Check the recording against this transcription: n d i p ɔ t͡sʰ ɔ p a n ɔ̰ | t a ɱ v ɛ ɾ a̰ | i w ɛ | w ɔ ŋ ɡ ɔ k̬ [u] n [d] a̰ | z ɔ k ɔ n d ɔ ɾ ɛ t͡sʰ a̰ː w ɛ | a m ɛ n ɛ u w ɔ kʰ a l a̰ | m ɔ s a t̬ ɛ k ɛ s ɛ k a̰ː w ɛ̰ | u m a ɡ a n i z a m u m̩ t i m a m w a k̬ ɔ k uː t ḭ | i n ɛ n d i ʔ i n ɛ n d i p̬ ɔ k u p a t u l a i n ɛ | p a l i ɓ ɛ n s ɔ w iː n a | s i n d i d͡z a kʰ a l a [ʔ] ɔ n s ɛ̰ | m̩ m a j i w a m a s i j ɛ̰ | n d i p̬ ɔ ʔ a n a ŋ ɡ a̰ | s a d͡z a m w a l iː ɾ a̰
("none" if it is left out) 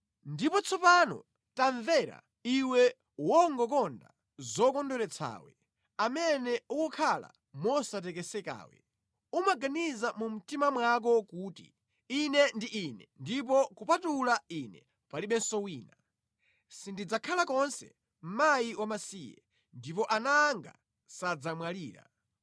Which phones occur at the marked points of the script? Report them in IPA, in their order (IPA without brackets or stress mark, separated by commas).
ɔ, d, k